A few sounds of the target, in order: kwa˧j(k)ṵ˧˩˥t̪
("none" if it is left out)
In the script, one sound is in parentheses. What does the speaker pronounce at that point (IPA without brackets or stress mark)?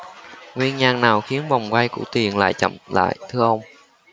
k